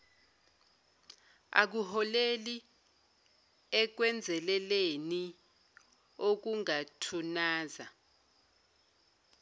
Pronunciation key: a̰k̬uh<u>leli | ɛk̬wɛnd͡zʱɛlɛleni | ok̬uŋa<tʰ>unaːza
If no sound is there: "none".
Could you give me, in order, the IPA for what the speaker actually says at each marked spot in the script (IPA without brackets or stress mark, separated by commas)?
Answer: ɔ, tʰ